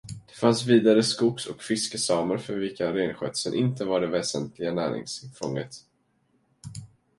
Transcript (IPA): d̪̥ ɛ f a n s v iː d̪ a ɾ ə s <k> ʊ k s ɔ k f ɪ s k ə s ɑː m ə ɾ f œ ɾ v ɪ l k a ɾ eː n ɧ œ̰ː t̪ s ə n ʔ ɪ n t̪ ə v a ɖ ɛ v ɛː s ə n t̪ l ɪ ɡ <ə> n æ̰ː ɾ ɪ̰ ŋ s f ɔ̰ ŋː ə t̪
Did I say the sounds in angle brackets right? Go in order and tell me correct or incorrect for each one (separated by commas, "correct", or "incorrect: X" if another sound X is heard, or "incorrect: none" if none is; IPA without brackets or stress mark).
correct, incorrect: a